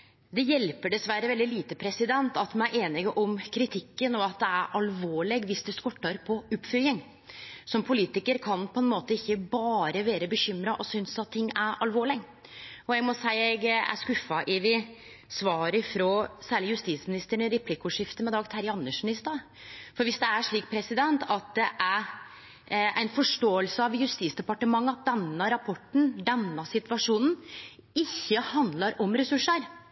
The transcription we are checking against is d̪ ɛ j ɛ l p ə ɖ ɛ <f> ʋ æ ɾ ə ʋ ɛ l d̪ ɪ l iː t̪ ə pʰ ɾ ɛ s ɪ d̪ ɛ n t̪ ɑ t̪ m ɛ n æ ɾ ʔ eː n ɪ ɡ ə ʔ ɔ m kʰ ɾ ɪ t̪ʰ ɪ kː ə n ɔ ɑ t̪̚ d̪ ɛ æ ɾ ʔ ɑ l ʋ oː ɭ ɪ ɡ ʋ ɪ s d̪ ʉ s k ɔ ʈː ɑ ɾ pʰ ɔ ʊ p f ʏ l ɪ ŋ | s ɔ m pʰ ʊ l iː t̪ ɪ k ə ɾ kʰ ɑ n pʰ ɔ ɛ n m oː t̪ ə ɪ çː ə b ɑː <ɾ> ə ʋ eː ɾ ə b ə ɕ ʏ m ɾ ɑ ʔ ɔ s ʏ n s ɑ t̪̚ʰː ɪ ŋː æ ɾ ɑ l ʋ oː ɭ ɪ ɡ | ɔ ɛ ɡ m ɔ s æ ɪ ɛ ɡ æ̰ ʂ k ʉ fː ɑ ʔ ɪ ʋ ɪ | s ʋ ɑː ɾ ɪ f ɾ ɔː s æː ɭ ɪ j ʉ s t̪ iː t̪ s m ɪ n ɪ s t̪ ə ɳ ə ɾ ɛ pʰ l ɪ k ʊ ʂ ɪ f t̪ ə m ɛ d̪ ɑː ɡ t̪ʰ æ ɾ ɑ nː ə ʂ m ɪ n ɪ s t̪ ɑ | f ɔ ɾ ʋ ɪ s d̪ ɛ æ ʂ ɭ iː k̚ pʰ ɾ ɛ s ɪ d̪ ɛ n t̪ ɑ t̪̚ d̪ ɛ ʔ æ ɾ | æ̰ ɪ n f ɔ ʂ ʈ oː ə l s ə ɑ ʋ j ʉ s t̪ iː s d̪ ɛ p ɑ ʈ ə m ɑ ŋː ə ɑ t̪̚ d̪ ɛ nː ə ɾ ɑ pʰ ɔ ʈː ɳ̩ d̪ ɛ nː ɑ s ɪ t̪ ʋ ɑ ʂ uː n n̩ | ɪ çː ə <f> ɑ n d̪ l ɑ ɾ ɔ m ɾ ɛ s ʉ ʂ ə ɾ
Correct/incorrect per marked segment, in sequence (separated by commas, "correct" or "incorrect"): incorrect, correct, incorrect